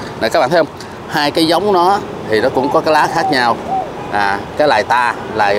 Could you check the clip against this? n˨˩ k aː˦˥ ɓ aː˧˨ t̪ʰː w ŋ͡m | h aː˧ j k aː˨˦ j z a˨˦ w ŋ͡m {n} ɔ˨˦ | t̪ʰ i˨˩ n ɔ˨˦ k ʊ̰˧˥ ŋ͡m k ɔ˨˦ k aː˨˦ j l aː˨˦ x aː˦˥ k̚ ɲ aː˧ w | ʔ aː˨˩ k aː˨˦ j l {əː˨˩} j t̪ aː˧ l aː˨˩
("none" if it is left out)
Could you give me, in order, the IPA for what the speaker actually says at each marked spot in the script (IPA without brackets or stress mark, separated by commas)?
n, aː˨˩